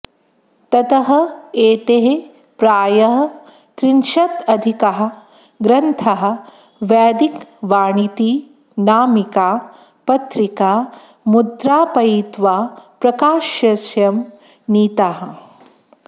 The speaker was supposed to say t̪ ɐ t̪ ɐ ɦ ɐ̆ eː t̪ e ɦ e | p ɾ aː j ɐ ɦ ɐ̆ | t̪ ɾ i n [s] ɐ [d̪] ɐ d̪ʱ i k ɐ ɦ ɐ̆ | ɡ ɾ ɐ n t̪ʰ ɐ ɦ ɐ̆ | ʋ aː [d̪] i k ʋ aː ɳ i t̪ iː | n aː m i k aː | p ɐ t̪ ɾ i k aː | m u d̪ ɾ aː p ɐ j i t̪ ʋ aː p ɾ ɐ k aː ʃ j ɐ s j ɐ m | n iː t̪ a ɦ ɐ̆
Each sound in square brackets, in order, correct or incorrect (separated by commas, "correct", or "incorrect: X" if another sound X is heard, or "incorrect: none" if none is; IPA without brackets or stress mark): incorrect: ʃ, incorrect: t̪, correct